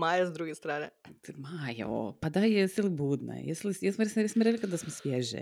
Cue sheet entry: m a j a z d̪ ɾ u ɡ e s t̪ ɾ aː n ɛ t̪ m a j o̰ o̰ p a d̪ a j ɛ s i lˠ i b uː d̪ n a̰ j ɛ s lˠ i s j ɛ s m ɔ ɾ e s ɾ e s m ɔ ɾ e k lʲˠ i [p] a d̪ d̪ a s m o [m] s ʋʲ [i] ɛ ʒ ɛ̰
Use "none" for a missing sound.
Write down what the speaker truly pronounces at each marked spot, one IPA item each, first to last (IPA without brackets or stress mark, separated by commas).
k, none, j